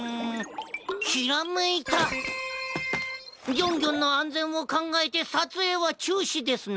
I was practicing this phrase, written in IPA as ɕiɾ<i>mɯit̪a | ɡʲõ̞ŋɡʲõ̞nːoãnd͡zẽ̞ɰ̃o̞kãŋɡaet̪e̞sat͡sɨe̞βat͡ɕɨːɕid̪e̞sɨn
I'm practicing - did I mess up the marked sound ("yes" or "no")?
yes